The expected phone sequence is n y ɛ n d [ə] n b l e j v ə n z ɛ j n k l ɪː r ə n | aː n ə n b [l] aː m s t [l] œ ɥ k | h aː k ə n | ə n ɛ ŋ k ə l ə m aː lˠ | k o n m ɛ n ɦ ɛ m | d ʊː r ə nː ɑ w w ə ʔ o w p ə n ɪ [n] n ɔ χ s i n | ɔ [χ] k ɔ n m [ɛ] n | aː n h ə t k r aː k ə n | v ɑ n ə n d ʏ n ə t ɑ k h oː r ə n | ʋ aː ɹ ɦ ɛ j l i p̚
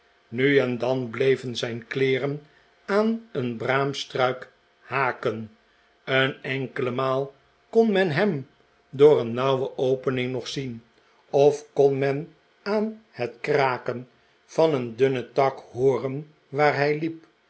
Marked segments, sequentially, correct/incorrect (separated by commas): incorrect, incorrect, incorrect, incorrect, incorrect, correct